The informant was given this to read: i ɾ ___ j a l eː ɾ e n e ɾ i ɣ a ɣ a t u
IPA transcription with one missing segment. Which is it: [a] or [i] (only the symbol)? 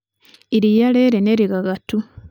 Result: i